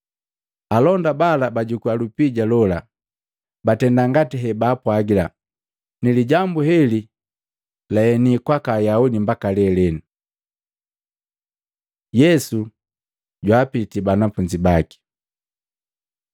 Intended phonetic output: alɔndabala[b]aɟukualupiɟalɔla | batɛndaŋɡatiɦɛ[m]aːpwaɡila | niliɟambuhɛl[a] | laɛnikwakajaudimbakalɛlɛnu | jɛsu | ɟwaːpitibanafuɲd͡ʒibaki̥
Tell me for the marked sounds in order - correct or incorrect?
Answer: correct, incorrect, incorrect

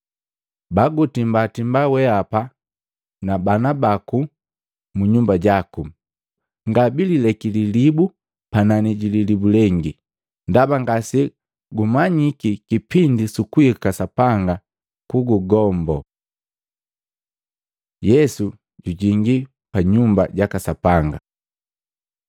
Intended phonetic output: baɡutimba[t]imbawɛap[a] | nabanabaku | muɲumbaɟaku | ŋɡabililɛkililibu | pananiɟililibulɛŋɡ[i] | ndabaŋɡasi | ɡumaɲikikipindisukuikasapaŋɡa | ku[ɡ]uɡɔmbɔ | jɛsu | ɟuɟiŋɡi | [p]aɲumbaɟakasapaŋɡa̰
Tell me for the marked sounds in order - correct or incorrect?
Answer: correct, correct, correct, correct, correct

